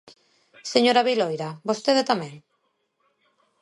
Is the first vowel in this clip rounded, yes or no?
no